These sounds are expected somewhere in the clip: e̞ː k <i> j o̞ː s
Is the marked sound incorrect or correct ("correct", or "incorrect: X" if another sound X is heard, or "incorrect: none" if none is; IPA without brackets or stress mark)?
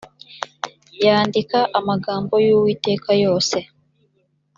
incorrect: a